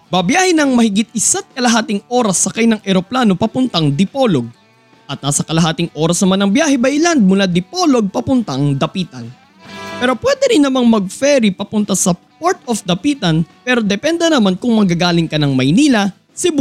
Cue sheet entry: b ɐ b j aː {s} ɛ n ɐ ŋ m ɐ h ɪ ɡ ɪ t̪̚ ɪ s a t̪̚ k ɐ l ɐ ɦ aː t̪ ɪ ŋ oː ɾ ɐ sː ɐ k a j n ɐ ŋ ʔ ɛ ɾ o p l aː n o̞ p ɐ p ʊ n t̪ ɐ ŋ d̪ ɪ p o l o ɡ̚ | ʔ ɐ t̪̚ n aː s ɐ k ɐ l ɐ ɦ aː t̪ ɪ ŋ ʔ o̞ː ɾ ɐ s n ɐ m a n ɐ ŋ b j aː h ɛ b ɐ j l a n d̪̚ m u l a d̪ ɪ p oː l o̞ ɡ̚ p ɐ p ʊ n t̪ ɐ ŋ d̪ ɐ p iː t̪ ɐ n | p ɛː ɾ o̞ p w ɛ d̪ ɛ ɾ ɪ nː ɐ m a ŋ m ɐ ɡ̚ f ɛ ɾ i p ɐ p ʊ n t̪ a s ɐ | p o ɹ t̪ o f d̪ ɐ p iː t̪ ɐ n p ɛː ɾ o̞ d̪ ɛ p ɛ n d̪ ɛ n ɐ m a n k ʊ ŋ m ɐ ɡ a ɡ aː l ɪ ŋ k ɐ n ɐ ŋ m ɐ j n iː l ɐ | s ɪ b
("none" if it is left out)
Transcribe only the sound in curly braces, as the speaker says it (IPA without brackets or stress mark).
h